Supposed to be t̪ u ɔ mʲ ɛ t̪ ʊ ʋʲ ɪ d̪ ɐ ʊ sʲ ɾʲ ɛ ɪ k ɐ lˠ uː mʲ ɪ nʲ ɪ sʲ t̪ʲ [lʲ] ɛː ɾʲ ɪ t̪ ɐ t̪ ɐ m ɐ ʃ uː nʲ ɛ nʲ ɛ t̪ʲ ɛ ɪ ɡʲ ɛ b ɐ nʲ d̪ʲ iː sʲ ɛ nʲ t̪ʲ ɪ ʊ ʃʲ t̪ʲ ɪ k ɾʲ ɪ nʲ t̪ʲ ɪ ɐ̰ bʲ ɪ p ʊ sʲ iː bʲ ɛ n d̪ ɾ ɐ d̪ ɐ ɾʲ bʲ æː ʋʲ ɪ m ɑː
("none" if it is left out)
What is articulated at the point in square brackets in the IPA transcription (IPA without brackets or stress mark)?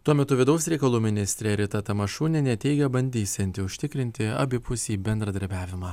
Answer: ɾʲ